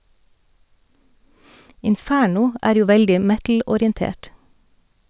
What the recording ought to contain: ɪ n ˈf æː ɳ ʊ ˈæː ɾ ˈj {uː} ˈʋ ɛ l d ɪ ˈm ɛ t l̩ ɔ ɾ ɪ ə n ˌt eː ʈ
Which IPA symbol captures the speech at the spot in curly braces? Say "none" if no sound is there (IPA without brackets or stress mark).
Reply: uː